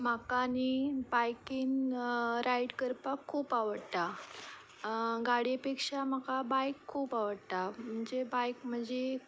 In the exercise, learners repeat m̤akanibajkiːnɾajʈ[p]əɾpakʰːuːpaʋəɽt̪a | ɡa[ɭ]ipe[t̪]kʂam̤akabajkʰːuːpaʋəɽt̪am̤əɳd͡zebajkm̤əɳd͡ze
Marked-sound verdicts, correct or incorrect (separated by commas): incorrect, incorrect, incorrect